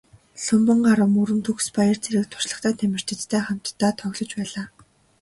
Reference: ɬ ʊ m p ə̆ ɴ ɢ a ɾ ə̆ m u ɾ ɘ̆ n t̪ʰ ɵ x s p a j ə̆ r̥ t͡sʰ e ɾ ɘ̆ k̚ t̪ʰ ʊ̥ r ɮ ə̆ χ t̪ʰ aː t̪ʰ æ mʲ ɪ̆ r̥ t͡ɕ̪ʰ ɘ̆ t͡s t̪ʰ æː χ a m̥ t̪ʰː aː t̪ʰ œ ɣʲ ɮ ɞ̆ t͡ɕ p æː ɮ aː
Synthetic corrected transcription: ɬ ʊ m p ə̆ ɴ ɢ a ɾ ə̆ m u ɾ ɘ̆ n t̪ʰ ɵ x s p a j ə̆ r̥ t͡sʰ e ɾ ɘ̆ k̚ t̪ʰ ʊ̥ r ɮ ə̆ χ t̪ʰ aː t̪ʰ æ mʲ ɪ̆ r̥ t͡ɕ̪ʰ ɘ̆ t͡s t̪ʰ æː χ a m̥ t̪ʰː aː t̪ʰ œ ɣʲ ɮ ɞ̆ t͡ɕ p æː ɮ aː